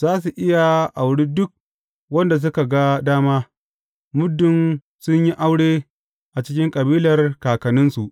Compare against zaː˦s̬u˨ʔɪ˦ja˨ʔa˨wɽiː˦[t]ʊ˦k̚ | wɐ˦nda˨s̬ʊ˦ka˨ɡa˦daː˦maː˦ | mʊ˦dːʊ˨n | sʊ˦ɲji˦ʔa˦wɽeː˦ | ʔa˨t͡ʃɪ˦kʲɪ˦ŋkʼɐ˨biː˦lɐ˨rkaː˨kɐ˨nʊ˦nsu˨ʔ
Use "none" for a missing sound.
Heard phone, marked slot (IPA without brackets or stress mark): d